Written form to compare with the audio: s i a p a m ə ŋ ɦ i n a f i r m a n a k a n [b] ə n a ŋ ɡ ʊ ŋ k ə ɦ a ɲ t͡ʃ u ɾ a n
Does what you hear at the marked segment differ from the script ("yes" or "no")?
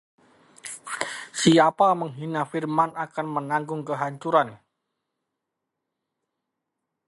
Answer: yes